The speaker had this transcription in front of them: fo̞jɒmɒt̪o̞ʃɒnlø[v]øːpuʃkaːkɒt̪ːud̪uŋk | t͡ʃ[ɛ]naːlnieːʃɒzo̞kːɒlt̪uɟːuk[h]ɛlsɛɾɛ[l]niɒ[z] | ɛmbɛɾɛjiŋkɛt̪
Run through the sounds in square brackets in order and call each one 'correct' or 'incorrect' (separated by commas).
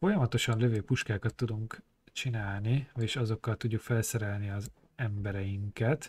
correct, incorrect, incorrect, correct, correct